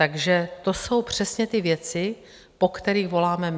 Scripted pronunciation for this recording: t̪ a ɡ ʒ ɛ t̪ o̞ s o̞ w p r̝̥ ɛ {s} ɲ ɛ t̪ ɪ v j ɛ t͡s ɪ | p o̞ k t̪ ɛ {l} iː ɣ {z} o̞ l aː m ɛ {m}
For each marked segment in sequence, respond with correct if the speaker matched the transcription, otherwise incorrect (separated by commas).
correct, incorrect, incorrect, correct